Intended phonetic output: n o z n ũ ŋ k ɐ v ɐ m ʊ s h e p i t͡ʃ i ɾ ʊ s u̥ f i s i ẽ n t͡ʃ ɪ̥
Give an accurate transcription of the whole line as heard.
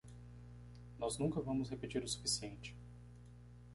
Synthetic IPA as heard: n ɔ z n ũ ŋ k ɐ v ɐ̃ m ʊ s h e p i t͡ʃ i ɾ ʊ s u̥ f i s i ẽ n t͡ʃ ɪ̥